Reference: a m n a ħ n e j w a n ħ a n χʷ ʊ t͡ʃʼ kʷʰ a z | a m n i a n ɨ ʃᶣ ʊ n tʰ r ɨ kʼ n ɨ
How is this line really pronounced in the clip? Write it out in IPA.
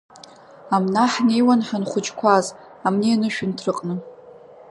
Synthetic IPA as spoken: a m n a ħ n e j w a n ħ a n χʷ ʊ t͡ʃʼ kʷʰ a z | a m n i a n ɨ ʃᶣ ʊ n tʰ r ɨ qʼ n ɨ